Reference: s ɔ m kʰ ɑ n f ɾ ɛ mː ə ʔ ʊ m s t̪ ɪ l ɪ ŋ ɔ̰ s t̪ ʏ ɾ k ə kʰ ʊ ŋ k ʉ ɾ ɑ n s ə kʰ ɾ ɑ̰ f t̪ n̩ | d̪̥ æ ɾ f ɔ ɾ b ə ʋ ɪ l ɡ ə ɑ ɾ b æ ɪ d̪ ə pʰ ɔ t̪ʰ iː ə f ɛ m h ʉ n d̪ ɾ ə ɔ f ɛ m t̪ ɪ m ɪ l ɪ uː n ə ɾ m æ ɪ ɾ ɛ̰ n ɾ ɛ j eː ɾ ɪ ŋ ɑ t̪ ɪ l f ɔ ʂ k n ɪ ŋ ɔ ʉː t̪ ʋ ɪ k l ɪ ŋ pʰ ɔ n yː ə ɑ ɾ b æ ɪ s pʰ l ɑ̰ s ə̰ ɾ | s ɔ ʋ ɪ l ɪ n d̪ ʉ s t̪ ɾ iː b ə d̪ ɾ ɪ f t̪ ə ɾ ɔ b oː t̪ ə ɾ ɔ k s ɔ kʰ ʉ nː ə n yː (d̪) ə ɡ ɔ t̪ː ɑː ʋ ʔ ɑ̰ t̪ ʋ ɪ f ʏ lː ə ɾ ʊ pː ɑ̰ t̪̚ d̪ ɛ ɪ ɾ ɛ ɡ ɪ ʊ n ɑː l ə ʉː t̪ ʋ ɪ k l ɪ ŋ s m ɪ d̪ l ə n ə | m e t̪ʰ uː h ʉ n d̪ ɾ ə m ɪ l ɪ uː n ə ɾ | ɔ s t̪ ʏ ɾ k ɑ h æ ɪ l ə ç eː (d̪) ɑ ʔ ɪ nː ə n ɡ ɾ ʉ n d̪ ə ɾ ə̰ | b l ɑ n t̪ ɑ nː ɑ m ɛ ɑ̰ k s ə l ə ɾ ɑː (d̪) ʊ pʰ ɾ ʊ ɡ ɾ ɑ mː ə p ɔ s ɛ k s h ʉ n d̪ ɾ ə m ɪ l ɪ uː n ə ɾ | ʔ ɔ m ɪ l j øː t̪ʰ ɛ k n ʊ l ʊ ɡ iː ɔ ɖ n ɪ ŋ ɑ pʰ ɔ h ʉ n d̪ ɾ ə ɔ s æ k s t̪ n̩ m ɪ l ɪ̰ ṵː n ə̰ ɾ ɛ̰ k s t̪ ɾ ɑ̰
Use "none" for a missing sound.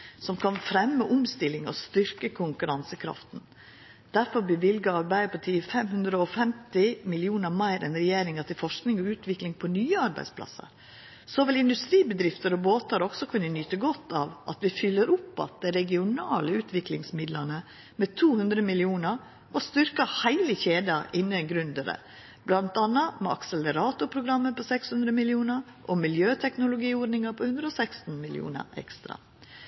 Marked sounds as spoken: t̪, d̪, t̪

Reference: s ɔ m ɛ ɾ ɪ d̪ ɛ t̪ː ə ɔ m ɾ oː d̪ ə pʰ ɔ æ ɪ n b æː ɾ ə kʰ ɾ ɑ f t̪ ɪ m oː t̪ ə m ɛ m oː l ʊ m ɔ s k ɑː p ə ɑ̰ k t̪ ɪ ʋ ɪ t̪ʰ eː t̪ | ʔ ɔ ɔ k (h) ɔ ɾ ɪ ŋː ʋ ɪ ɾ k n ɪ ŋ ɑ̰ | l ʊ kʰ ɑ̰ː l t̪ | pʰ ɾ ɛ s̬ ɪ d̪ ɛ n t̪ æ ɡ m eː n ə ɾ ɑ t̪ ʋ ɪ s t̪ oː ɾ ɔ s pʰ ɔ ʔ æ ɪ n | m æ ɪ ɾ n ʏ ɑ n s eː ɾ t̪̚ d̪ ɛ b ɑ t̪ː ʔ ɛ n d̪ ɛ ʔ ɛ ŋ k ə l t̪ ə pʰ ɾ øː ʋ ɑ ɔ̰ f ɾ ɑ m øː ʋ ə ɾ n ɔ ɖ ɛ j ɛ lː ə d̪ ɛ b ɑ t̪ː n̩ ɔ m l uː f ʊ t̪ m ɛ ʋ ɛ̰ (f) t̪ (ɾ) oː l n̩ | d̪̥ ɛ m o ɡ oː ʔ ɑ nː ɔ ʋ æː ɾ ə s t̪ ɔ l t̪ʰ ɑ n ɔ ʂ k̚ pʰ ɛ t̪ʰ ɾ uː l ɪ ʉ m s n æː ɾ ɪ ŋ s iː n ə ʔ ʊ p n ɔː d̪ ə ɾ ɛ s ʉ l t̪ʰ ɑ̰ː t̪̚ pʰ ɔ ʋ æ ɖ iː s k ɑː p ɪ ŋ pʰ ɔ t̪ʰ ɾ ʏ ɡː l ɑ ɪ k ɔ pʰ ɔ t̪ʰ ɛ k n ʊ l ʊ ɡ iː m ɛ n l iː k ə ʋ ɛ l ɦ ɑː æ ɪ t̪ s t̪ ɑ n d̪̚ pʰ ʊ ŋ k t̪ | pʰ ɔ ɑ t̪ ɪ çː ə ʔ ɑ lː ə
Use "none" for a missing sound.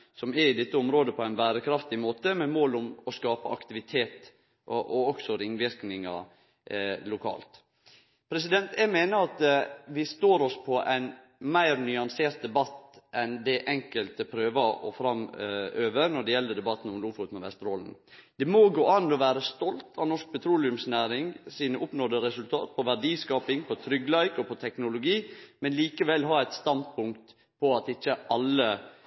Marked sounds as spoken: s, s, ɾ

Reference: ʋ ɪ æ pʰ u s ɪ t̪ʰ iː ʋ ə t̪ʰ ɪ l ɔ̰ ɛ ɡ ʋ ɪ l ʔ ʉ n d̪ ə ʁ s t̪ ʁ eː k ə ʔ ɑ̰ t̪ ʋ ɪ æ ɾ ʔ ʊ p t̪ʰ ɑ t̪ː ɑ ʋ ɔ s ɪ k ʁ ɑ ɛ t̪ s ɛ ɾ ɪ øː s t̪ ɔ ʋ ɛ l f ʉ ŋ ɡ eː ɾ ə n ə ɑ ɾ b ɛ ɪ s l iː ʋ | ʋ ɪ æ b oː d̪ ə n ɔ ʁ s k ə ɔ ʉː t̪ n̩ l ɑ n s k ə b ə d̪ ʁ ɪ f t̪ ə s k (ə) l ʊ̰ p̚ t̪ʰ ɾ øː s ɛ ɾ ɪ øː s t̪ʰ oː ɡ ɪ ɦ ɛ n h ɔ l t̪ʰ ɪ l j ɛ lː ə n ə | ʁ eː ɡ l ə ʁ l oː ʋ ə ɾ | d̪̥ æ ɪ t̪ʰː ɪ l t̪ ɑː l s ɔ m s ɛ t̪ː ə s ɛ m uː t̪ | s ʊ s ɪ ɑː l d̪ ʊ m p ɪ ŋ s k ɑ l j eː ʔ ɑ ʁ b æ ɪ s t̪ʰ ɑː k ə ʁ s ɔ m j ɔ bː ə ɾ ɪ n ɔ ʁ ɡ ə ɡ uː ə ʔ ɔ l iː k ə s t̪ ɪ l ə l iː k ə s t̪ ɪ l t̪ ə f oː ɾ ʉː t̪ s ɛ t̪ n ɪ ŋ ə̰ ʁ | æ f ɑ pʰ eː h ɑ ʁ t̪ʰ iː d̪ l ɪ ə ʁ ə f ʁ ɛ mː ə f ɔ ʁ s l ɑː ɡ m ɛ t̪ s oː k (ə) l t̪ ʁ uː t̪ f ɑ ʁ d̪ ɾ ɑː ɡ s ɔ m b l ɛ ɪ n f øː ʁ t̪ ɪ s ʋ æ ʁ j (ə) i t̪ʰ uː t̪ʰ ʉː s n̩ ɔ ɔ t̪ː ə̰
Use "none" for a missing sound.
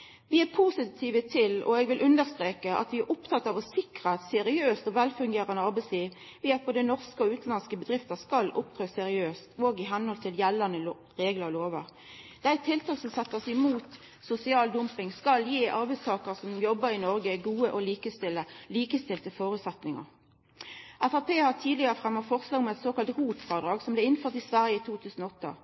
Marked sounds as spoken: ɑ, ɑ, ə

